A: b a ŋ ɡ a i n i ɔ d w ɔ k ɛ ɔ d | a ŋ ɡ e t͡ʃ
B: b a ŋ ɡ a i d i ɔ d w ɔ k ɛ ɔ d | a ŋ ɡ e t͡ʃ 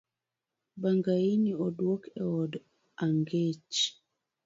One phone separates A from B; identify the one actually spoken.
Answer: A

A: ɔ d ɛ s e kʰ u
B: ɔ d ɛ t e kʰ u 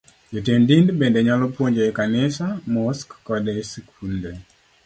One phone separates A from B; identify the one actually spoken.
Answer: A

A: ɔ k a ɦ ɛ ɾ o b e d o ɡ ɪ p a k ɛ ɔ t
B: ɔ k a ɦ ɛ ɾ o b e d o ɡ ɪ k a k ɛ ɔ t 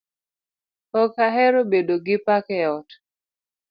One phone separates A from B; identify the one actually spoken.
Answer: A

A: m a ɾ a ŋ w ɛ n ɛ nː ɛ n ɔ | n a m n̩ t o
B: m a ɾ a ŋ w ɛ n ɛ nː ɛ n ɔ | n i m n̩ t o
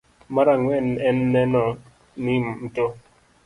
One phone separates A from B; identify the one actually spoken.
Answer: B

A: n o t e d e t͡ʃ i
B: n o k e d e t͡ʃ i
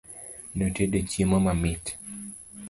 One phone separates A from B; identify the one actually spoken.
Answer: A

